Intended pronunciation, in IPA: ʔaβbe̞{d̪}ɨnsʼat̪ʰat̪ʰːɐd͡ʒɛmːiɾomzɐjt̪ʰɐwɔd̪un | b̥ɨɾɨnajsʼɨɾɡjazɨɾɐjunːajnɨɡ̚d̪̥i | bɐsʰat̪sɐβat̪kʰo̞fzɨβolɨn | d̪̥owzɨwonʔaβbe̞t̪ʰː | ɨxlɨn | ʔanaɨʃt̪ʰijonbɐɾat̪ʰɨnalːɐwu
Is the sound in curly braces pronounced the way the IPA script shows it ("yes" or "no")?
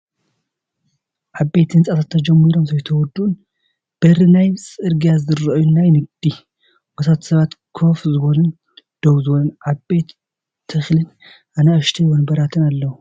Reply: no